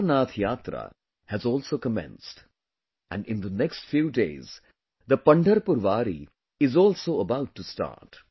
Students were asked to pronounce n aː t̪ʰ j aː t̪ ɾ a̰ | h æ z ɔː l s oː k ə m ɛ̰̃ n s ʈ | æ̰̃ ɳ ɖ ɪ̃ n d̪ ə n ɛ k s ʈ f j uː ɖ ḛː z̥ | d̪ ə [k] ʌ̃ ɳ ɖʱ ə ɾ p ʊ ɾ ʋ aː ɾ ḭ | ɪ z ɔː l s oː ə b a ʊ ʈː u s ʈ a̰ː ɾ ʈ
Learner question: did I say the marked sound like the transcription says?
no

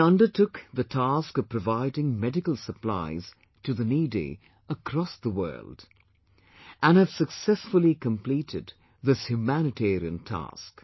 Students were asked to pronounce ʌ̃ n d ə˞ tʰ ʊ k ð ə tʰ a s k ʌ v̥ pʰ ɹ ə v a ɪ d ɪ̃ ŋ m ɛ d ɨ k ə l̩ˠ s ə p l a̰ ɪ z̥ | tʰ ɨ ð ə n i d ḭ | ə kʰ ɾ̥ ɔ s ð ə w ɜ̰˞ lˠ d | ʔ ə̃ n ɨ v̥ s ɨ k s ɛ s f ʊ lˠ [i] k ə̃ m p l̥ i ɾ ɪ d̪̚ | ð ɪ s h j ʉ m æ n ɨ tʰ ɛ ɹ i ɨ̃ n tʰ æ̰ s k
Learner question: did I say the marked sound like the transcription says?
yes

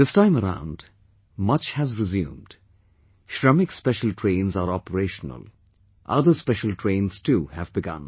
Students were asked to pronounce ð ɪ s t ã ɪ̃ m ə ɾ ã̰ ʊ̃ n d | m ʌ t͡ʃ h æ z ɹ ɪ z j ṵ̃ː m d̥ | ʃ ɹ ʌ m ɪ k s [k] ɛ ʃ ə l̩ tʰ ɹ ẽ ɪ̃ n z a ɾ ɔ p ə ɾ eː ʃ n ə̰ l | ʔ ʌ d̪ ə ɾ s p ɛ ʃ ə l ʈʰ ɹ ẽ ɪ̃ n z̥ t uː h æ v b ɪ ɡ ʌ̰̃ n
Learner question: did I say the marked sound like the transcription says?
no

